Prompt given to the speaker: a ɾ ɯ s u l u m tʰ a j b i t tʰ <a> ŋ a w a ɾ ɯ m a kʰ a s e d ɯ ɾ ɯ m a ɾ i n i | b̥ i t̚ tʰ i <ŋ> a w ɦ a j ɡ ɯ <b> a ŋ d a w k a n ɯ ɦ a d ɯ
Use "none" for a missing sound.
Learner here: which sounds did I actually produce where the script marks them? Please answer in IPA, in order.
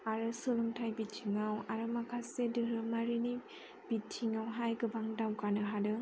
i, ŋ, b

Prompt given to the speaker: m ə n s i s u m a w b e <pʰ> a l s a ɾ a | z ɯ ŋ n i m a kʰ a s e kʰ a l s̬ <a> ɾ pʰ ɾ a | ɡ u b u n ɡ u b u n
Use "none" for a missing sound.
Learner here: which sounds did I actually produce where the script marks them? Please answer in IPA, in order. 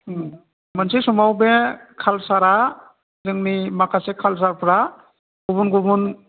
kʰ, a

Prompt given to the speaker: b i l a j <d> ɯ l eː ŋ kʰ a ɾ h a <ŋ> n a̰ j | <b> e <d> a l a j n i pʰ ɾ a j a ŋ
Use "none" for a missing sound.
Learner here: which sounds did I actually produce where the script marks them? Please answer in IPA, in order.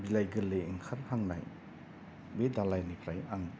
ɡ, ŋ, b, d

